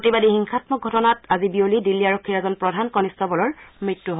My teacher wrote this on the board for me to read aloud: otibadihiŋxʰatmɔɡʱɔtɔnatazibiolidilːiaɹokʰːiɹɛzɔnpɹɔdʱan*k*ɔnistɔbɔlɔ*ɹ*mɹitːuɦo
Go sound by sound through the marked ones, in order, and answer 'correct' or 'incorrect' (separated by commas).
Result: correct, correct